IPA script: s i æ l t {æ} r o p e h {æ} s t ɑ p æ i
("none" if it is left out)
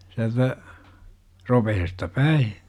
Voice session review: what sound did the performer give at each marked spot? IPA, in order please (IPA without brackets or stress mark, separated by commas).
æ, e